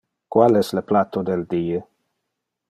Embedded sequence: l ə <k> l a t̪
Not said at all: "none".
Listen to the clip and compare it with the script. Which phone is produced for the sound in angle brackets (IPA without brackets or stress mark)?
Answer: p